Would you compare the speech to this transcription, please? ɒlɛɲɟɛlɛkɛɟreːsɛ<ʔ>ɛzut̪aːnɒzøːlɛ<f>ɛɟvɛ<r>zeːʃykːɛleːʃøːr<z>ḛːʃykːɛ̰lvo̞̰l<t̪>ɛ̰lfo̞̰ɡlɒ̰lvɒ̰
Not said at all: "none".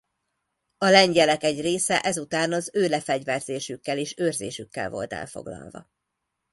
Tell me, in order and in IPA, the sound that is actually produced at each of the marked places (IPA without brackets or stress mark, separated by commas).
ʔ, f, r, z, t̪